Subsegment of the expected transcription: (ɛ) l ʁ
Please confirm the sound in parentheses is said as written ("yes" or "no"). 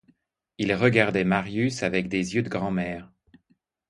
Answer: no